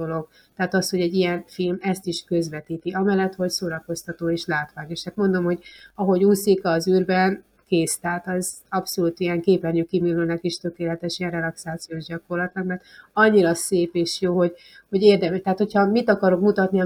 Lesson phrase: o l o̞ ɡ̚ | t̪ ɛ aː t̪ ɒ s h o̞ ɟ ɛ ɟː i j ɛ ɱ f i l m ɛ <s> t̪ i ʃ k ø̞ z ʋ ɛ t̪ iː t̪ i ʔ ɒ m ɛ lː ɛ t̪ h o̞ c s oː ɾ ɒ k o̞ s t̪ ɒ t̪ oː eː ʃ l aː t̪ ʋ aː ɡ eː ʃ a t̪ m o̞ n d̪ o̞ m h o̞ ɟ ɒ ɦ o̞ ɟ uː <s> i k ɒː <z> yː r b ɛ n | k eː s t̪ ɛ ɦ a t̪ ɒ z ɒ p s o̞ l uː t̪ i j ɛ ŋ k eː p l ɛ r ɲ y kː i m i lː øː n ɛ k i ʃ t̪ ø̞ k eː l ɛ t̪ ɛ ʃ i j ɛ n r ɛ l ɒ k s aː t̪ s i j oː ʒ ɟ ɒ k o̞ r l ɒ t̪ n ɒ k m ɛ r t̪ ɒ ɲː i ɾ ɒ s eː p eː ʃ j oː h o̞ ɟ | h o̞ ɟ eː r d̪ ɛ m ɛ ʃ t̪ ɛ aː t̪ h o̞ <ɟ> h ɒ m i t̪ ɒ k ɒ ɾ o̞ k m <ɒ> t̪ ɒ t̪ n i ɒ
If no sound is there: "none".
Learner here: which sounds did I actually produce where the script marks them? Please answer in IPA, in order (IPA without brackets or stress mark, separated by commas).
s, s, z, c, u